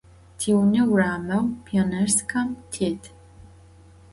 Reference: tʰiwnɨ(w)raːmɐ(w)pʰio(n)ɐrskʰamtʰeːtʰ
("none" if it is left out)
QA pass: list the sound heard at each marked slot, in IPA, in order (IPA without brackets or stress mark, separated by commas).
w, w, n